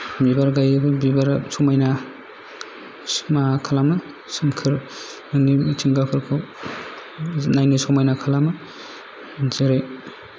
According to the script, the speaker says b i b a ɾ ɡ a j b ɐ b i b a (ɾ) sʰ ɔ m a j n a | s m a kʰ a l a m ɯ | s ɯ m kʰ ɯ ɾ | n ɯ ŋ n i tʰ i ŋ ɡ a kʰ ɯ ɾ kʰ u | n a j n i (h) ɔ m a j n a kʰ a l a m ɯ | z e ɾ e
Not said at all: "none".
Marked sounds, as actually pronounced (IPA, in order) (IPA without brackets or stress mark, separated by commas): ɾ, s